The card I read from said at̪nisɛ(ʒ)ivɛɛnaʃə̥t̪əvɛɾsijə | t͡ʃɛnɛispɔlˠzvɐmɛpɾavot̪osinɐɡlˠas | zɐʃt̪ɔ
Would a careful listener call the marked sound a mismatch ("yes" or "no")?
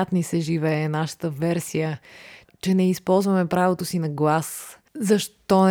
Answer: no